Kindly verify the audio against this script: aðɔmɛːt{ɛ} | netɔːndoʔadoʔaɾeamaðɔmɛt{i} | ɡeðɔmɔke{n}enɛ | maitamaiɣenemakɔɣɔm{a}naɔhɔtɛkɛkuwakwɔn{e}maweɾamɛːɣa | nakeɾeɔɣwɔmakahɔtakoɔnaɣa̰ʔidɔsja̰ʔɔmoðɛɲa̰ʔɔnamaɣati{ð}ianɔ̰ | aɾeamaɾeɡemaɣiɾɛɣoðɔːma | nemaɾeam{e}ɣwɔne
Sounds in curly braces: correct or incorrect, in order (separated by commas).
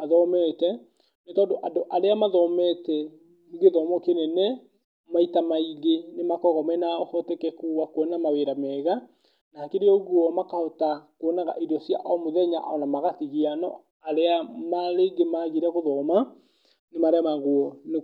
correct, incorrect, correct, incorrect, incorrect, incorrect, incorrect